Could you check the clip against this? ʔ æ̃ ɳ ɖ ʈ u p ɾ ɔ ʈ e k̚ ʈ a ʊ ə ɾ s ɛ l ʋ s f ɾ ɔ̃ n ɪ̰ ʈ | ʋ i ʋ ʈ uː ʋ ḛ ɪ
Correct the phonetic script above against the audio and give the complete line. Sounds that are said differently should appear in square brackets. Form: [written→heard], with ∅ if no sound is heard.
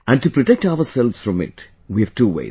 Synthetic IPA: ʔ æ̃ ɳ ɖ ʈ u p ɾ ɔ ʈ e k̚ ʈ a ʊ ə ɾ s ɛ l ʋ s f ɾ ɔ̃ [n→m] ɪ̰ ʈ | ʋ i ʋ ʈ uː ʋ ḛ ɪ